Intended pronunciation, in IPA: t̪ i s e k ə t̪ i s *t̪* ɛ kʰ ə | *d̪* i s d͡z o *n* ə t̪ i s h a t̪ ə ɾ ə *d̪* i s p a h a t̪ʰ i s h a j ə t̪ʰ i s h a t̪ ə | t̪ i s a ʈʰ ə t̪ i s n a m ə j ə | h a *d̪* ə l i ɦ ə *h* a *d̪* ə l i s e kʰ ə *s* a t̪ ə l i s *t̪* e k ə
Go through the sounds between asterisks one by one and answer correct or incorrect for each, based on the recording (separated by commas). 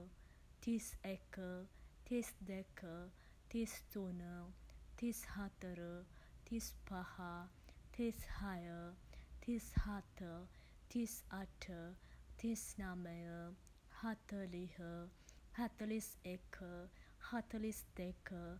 incorrect, incorrect, correct, incorrect, incorrect, correct, incorrect, incorrect, incorrect